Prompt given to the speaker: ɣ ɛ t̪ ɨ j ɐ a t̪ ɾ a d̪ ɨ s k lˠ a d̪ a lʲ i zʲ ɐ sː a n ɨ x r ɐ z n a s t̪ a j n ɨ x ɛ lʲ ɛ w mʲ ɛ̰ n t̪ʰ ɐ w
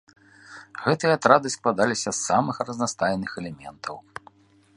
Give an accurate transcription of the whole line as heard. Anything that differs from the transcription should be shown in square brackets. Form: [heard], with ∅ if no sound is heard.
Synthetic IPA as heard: ɣ ɛ t̪ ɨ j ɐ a t̪ ɾ a d̪ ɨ s k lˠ a d̪ a lʲ i [sʲ] ɐ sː a [m] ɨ x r ɐ z n a s t̪ a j n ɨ x ɛ lʲ ɛ [∅] mʲ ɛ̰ n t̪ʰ ɐ w

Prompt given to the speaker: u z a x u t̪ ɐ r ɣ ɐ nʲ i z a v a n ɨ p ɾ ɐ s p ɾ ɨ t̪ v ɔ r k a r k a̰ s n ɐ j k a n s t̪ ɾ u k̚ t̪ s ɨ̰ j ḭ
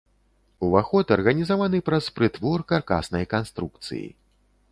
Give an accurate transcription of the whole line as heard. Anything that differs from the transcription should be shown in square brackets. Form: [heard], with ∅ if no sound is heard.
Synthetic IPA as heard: u [v] a x [ɔ] t̪ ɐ r ɣ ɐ nʲ i z a v a n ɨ p ɾ ɐ s p ɾ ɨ t̪ v ɔ r k a r k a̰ s n ɐ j k a n s t̪ ɾ u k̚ t̪ s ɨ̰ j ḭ

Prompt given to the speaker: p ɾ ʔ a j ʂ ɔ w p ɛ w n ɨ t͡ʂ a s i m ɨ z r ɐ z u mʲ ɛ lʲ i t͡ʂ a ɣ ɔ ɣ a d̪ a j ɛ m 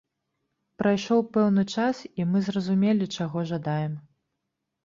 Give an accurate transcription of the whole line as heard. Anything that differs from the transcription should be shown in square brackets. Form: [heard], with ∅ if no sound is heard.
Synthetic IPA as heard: p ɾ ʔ a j ʂ ɔ w p ɛ w n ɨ t͡ʂ a s i m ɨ z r ɐ z u mʲ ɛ lʲ i t͡ʂ a ɣ ɔ [ʐ] a d̪ a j ɛ m

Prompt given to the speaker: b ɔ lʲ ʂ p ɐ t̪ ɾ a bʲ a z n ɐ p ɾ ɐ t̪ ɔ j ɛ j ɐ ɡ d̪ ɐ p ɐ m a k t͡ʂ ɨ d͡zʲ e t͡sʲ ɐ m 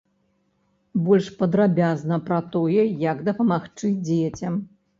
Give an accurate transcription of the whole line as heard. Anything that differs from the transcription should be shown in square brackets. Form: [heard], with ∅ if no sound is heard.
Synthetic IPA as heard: b ɔ lʲ ʂ p ɐ [d̪] ɾ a bʲ a z n ɐ p ɾ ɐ t̪ ɔ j ɛ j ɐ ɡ d̪ ɐ p ɐ m a [x] t͡ʂ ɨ d͡zʲ e t͡sʲ ɐ m

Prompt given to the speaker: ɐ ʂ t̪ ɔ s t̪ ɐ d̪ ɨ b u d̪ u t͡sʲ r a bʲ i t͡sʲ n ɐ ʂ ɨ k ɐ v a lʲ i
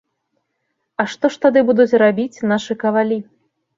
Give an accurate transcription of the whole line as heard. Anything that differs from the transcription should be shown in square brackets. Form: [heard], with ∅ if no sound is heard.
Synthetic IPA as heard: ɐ ʂ t̪ ɔ [ʂ] t̪ [a] d̪ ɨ b u d̪ u t͡sʲ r a bʲ i t͡sʲ n [a] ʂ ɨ k ɐ v a lʲ i

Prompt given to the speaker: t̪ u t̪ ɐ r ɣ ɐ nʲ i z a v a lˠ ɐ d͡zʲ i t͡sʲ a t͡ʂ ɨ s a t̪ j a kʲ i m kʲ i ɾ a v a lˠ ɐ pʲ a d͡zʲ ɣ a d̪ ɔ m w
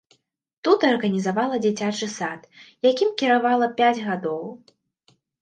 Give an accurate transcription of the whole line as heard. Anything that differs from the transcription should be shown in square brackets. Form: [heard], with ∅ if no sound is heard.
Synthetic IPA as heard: t̪ u t̪ ɐ r ɣ ɐ nʲ i z a v a lˠ ɐ d͡zʲ i t͡sʲ a t͡ʂ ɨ s a t̪ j a kʲ i m kʲ i ɾ a v a lˠ ɐ pʲ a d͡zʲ ɣ a d̪ ɔ [∅] w

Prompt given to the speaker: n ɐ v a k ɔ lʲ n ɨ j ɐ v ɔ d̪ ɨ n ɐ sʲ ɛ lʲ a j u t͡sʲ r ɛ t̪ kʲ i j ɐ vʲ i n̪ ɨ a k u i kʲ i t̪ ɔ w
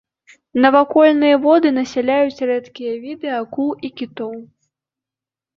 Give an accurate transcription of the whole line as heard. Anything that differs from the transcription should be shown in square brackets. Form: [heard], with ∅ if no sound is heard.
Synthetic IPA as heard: n ɐ v a k ɔ lʲ n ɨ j ɐ v ɔ d̪ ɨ n ɐ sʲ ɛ lʲ a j u t͡sʲ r ɛ t̪ kʲ i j ɐ vʲ i [d̪] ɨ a k u i kʲ i t̪ ɔ w

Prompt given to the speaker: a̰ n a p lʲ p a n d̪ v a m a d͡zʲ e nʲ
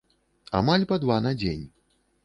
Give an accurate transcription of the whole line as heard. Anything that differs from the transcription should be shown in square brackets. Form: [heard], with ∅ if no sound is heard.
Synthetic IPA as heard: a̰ [m] a [∅] lʲ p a [∅] d̪ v a [n] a d͡zʲ e nʲ

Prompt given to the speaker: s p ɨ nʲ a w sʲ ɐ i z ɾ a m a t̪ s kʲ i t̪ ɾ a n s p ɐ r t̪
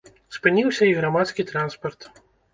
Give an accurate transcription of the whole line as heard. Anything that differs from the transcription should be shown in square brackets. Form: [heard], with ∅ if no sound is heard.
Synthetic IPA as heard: s p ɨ nʲ [i] w sʲ ɐ i [ɣ] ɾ a m a t̪ s kʲ i t̪ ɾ a n s p ɐ r t̪

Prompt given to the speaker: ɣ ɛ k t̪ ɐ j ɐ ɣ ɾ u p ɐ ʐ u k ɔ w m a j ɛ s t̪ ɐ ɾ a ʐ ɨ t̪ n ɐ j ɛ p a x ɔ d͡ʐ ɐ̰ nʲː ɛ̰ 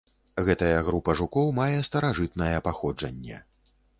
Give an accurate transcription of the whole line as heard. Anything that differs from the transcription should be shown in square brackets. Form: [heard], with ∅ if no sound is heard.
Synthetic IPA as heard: ɣ ɛ [∅] t̪ ɐ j ɐ ɣ ɾ u p ɐ ʐ u k ɔ w m a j ɛ s t̪ ɐ ɾ a ʐ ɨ t̪ n ɐ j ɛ p a x ɔ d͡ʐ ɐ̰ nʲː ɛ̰

